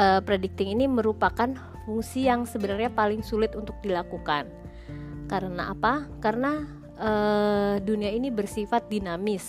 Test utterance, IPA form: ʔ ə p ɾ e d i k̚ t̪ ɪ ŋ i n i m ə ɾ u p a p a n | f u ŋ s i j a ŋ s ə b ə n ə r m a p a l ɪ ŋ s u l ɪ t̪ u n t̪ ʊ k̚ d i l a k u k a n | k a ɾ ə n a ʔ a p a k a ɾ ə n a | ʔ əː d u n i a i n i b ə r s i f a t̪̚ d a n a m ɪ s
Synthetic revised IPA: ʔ ə p ɾ e d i k̚ t̪ ɪ ŋ i n i m ə ɾ u p a k a n | f u ŋ s i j a ŋ s ə b ə n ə r ɲ a p a l ɪ ŋ s u l ɪ t̪ u n t̪ ʊ k̚ d i l a k u k a n | k a ɾ ə n a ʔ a p a k a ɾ ə n a | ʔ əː d u n i a i n i b ə r s i f a t̪̚ d i n a m ɪ s